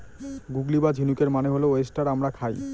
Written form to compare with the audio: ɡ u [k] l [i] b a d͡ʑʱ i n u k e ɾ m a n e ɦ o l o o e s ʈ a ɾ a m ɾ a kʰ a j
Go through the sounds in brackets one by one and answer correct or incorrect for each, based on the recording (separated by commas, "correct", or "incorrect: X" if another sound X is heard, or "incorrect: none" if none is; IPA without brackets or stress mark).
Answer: incorrect: ɡ, correct